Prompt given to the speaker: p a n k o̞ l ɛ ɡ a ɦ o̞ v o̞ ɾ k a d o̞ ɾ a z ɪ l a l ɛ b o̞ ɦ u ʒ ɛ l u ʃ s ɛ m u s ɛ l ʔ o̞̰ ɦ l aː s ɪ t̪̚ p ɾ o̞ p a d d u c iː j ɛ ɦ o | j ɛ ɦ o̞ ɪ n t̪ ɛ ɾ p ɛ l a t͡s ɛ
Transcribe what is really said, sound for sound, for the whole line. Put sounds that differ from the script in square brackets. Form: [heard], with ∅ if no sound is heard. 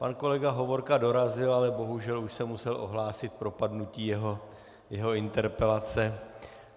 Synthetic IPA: p a n k o̞ l ɛ ɡ a ɦ o̞ v o̞ ɾ k a d o̞ ɾ a z ɪ l a l ɛ b o̞ ɦ u ʒ ɛ l u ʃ s ɛ m u s ɛ l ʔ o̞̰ ɦ l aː s ɪ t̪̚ p ɾ o̞ p a d [n] u c iː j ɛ ɦ o | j ɛ ɦ o̞ ɪ n t̪ ɛ ɾ p ɛ l a t͡s ɛ